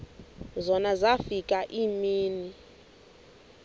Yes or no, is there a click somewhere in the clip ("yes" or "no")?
no